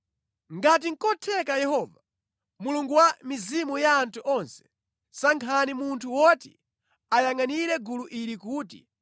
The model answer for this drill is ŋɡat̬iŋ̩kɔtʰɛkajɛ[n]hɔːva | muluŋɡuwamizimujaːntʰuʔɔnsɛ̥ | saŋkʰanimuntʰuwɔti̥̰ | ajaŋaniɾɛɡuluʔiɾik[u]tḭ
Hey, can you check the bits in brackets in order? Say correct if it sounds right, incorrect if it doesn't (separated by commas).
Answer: incorrect, incorrect